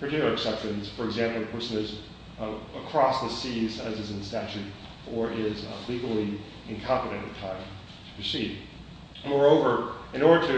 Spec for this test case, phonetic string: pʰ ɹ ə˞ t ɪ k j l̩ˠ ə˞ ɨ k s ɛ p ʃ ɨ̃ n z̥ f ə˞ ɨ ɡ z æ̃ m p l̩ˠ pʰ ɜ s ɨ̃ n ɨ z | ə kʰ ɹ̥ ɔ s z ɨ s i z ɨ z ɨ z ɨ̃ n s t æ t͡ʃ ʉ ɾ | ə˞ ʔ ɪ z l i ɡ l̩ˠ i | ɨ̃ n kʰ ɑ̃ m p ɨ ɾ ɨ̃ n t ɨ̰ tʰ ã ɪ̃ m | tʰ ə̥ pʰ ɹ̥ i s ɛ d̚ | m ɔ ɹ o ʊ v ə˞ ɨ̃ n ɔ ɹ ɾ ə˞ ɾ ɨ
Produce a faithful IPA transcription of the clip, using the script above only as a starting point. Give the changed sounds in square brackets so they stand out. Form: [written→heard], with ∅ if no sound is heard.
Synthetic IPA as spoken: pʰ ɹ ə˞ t ɪ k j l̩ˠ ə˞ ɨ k s ɛ p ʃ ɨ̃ n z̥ f ə˞ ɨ ɡ z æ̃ m p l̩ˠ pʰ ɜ s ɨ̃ n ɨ z | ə kʰ ɹ̥ ɔ s [z→ð] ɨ s i z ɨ z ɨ z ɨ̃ n s t æ t͡ʃ ʉ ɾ | ə˞ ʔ ɪ z l i ɡ l̩ˠ i | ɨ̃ n kʰ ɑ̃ m p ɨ ɾ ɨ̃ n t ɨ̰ tʰ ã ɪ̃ m | tʰ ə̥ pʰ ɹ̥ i s [ɛ→i] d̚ | m ɔ ɹ o ʊ v ə˞ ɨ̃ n ɔ ɹ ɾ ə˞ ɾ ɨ

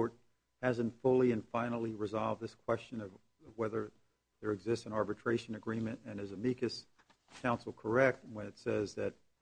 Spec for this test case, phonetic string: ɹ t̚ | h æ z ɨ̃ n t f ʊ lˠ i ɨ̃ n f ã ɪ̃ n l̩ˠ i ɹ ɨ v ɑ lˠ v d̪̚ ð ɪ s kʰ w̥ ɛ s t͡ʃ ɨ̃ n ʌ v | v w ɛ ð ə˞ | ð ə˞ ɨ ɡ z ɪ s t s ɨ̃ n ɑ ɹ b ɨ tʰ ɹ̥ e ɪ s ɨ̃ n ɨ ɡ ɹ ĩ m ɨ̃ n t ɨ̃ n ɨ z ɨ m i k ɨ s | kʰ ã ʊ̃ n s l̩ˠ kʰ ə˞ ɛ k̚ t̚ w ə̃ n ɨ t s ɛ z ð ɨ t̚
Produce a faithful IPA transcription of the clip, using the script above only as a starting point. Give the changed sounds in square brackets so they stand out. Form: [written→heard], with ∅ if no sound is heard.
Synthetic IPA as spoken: ɹ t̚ | h æ z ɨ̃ n t f ʊ lˠ i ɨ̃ n f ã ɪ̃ n l̩ˠ i ɹ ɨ [v→z] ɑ lˠ v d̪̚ ð ɪ s kʰ w̥ ɛ s t͡ʃ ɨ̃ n ʌ v | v w ɛ ð ə˞ | ð ə˞ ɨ ɡ z ɪ s t s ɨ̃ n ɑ ɹ b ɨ tʰ ɹ̥ e ɪ [s→ʃ] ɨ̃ n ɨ ɡ ɹ ĩ m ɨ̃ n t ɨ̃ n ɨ z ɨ m i k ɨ s | kʰ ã ʊ̃ n s l̩ˠ kʰ ə˞ ɛ k̚ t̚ w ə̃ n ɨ t s ɛ z ð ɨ t̚

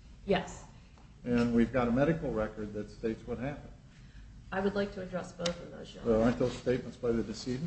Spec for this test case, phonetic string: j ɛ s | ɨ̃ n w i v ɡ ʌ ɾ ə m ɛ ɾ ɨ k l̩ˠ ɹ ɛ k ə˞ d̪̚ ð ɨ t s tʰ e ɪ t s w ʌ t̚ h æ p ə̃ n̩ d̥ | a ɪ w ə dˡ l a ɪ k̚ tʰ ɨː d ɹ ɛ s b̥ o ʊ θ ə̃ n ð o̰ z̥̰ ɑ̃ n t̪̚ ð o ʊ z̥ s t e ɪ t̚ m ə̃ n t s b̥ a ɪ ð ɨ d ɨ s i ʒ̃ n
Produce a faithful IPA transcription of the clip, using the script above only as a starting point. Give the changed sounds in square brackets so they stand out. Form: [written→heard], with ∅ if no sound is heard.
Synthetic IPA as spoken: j ɛ s | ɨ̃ n w i v ɡ [ʌ→ɑ] ɾ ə m ɛ ɾ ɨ k l̩ˠ ɹ ɛ k ə˞ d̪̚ ð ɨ t s [tʰ→t] e ɪ t s w ʌ t̚ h æ p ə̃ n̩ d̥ | a ɪ w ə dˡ l a ɪ k̚ tʰ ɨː d ɹ ɛ s b̥ o ʊ θ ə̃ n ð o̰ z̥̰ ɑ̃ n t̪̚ ð o ʊ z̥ s t e ɪ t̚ m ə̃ n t s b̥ a ɪ ð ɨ d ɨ s i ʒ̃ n

